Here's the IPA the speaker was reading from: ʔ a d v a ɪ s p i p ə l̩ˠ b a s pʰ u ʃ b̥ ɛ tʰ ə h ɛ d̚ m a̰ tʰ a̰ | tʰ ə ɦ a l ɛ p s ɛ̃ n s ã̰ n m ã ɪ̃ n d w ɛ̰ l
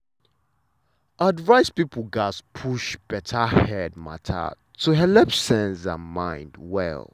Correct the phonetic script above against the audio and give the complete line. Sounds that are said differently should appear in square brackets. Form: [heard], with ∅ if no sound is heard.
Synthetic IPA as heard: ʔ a d v a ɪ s p i p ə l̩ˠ [ɡ] a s pʰ u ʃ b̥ ɛ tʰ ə h ɛ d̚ m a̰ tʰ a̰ | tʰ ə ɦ [ɛ] l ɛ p s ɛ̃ n s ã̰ n m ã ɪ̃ n d w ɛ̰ l